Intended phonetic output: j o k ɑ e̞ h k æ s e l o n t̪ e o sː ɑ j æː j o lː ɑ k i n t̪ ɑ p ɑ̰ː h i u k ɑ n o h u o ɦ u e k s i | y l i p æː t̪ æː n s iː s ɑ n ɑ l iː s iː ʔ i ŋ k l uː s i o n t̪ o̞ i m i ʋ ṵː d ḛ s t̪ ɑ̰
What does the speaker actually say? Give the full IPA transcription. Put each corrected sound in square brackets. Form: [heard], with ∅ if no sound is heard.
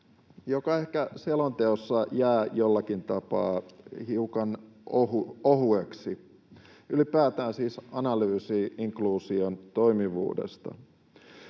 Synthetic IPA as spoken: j o k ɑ e̞ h k æ s e l o n t̪ e o sː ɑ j æː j o lː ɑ k i n t̪ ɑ p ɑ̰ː h i u k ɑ n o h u o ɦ u e k s i | y l i p æː t̪ æː n s iː s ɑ n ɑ l [yː] s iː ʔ i ŋ k l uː s i o n t̪ o̞ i m i ʋ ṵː d ḛ s t̪ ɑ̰